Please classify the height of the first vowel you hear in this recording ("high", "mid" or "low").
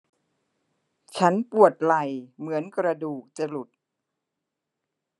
low